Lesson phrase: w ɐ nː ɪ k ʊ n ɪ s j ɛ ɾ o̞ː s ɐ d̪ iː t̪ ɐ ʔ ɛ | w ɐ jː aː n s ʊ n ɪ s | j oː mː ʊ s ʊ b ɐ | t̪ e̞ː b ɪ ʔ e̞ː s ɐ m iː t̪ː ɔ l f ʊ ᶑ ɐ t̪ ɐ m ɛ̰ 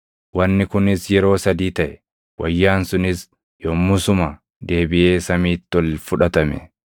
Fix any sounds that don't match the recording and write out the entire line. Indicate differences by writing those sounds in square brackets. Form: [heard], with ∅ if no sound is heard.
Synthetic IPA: w ɐ nː ɪ k ʊ n ɪ s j ɛ ɾ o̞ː s ɐ d̪ iː t̪ ɐ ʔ ɛ | w ɐ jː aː n s ʊ n ɪ s | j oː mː ʊ s ʊ [m] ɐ | [d̪] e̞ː b ɪ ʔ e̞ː s ɐ m iː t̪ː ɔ l f ʊ ᶑ ɐ t̪ ɐ m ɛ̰

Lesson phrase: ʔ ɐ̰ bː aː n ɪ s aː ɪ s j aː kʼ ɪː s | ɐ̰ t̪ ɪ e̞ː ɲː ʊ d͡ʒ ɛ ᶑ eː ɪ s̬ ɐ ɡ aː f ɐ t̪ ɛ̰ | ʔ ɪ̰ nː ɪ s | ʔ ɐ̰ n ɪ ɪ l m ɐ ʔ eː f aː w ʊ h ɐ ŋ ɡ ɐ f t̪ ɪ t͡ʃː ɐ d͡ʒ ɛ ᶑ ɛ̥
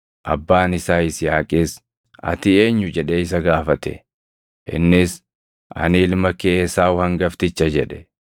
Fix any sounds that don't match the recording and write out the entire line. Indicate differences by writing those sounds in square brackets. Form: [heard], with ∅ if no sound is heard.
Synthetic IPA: ʔ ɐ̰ bː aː n ɪ s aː ɪ s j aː kʼ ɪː s | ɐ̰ t̪ ɪ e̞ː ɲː ʊ d͡ʒ ɛ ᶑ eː ɪ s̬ ɐ ɡ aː f ɐ t̪ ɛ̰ | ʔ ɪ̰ nː ɪ s | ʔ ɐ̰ n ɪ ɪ l m ɐ [k] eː [s] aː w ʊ h ɐ ŋ ɡ ɐ f t̪ ɪ t͡ʃː ɐ d͡ʒ ɛ ᶑ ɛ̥

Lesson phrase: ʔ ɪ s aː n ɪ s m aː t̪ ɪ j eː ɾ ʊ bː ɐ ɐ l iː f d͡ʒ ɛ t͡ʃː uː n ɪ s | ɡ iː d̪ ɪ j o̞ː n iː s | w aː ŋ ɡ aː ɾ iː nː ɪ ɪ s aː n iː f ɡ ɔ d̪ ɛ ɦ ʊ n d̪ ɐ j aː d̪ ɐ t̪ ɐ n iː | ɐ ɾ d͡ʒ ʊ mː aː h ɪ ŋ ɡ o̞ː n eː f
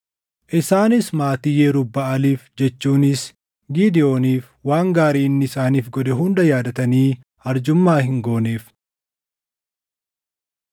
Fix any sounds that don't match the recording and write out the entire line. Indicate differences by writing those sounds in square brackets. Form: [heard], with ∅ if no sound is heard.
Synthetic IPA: ʔ ɪ s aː n ɪ s m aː t̪ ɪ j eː ɾ ʊ bː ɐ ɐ l iː f d͡ʒ ɛ t͡ʃː uː n ɪ s | ɡ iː d̪ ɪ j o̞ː n iː [f] | w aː ŋ ɡ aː ɾ iː nː ɪ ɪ s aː n iː f ɡ ɔ d̪ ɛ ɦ ʊ n d̪ ɐ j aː d̪ ɐ t̪ ɐ n iː | ɐ ɾ d͡ʒ ʊ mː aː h ɪ ŋ ɡ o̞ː n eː f

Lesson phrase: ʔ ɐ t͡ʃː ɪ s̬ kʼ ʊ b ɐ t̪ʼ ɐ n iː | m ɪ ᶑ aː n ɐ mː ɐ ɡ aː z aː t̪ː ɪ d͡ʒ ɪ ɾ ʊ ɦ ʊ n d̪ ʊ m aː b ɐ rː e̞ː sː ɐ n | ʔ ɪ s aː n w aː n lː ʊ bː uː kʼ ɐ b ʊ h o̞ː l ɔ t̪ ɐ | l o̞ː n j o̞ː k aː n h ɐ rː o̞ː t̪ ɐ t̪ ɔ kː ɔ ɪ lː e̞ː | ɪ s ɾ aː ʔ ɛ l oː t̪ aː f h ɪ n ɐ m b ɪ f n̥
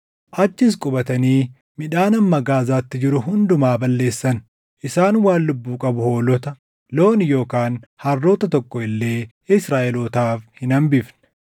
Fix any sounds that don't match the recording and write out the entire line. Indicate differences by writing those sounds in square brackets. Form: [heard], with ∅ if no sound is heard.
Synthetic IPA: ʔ ɐ t͡ʃː ɪ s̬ kʼ ʊ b ɐ [t̪] ɐ n iː | m ɪ ᶑ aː n ɐ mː ɐ ɡ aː z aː t̪ː ɪ d͡ʒ ɪ ɾ ʊ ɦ ʊ n d̪ ʊ m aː b ɐ [lː] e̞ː sː ɐ n | ʔ ɪ s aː n w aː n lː ʊ bː uː kʼ ɐ b ʊ h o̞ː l ɔ t̪ ɐ | l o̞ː n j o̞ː k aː n h ɐ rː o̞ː t̪ ɐ t̪ ɔ kː ɔ ɪ lː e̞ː | ɪ s ɾ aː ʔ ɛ l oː t̪ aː f h ɪ n ɐ m b ɪ f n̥

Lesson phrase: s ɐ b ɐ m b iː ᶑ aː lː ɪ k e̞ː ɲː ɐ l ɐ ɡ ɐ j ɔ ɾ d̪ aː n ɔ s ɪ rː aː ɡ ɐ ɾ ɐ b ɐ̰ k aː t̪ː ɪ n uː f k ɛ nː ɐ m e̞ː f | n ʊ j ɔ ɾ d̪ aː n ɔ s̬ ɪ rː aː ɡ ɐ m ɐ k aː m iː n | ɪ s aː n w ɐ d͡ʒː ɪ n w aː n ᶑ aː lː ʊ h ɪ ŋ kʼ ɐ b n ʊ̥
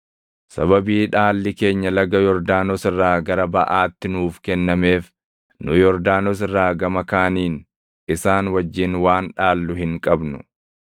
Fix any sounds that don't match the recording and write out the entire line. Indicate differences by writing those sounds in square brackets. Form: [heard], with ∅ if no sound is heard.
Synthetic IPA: s ɐ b ɐ [∅] b iː ᶑ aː lː ɪ k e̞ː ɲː ɐ l ɐ ɡ ɐ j ɔ ɾ d̪ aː n ɔ s ɪ rː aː ɡ ɐ ɾ ɐ b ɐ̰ [ʔ] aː t̪ː ɪ n uː f k ɛ nː ɐ m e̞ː f | n ʊ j ɔ ɾ d̪ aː n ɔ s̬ ɪ rː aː ɡ ɐ m ɐ k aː [n] iː n | ɪ s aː n w ɐ d͡ʒː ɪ n w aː n ᶑ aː lː ʊ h ɪ ŋ kʼ ɐ b n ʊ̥

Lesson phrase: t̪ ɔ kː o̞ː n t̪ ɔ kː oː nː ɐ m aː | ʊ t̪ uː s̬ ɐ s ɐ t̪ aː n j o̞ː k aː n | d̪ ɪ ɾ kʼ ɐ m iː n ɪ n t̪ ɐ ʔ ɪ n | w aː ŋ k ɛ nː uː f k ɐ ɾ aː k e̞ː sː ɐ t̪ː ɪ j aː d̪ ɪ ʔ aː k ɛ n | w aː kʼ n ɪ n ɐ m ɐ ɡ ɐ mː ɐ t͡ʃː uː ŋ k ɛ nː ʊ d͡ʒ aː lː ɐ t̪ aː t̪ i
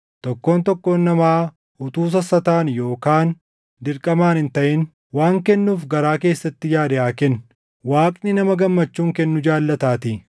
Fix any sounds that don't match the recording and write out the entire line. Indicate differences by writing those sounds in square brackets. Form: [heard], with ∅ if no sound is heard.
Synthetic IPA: t̪ ɔ kː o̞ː n t̪ ɔ kː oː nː ɐ m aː | ʊ t̪ uː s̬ ɐ s ɐ t̪ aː n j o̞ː k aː n | d̪ ɪ ɾ kʼ ɐ m [aː] n ɪ n t̪ ɐ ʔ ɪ n | w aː ŋ k ɛ nː uː f [ɡ] ɐ ɾ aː k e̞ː sː ɐ t̪ː ɪ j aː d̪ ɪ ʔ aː k ɛ n | w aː kʼ n ɪ n ɐ m ɐ ɡ ɐ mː ɐ t͡ʃː uː ŋ k ɛ nː ʊ d͡ʒ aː lː ɐ t̪ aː t̪ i

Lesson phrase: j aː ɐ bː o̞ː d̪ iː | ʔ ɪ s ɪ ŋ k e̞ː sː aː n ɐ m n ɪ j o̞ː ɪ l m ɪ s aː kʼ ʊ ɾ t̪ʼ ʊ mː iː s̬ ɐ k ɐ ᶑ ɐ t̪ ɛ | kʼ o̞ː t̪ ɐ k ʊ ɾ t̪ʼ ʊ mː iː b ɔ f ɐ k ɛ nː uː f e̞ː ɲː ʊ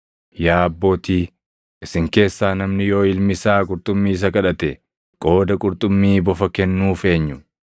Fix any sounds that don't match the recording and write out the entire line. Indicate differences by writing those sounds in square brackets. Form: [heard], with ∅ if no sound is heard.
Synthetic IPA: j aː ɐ bː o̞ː [t̪] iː | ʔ ɪ s ɪ ŋ k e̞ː sː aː n ɐ m n ɪ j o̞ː ɪ l m ɪ s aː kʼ ʊ ɾ t̪ʼ ʊ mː iː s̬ ɐ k ɐ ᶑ ɐ t̪ ɛ | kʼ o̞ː [d̪] ɐ [kʼ] ʊ ɾ t̪ʼ ʊ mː iː b ɔ f ɐ k ɛ nː uː f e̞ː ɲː ʊ

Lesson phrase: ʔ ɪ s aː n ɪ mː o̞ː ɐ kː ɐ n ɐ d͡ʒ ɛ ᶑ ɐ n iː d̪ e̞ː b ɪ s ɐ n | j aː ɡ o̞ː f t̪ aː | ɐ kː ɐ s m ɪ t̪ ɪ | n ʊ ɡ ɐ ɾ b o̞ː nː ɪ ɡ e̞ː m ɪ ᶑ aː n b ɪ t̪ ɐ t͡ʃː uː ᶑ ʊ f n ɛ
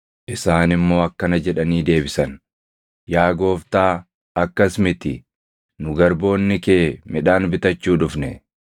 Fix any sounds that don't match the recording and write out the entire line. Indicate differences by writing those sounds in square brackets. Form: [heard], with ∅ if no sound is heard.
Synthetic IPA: ʔ ɪ s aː n ɪ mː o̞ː ɐ kː ɐ n ɐ d͡ʒ ɛ ᶑ ɐ n iː d̪ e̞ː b ɪ s ɐ n | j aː ɡ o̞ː f t̪ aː | ɐ kː ɐ s m ɪ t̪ ɪ | n ʊ ɡ ɐ ɾ b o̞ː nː ɪ [k] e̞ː m ɪ ᶑ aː n b ɪ t̪ ɐ t͡ʃː uː ᶑ ʊ f n ɛ

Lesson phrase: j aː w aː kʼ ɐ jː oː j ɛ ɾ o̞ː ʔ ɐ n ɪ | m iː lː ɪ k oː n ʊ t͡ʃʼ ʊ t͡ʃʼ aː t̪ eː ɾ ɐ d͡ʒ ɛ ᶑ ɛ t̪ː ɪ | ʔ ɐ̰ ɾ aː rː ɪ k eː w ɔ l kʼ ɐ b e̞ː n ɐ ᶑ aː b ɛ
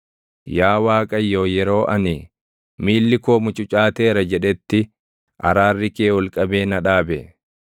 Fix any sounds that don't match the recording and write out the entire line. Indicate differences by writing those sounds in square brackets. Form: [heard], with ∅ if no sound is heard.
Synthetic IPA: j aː w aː kʼ ɐ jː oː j ɛ ɾ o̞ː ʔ ɐ n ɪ | m iː lː ɪ k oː [m] ʊ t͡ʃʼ ʊ t͡ʃʼ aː t̪ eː ɾ ɐ d͡ʒ ɛ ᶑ ɛ t̪ː ɪ | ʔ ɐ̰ ɾ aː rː ɪ k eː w ɔ l kʼ ɐ b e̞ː n ɐ ᶑ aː b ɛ

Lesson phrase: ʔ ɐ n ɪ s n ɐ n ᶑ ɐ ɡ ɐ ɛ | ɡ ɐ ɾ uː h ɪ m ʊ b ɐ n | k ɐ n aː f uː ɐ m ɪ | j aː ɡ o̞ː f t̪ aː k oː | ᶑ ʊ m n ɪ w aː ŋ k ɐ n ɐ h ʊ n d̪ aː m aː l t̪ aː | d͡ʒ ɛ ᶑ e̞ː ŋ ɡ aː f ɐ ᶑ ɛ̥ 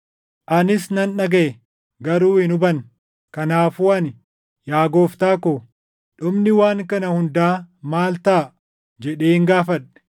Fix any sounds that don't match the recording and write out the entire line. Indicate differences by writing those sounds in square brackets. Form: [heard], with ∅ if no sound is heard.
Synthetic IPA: ʔ ɐ n ɪ s n ɐ n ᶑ ɐ ɡ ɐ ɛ | ɡ ɐ ɾ uː h ɪ [n] ʊ b ɐ n | k ɐ n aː f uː ɐ [n] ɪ | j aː ɡ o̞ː f t̪ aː k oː | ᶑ ʊ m n ɪ w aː ŋ k ɐ n ɐ h ʊ n d̪ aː m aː l t̪ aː | d͡ʒ ɛ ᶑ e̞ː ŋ ɡ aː f ɐ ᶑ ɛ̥

